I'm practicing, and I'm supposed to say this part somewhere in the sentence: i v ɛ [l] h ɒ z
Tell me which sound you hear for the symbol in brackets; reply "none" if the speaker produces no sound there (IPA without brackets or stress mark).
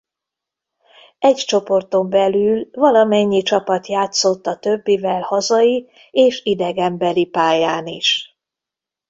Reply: l